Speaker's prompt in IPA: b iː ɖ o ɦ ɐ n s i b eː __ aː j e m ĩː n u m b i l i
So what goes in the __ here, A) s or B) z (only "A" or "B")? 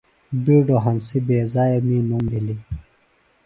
B